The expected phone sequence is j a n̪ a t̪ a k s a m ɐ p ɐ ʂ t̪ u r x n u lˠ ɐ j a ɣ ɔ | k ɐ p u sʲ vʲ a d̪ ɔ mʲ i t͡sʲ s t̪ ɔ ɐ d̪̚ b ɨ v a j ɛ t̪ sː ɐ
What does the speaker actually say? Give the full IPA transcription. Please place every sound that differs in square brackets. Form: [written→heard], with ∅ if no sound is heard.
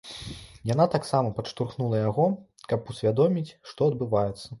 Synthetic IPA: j a n̪ a t̪ a k s a m ɐ p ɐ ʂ t̪ u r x n u lˠ ɐ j a ɣ ɔ | k ɐ p u sʲ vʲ a d̪ ɔ mʲ i t͡sʲ [s→ʂ] t̪ ɔ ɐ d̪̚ b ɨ v a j ɛ t̪ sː ɐ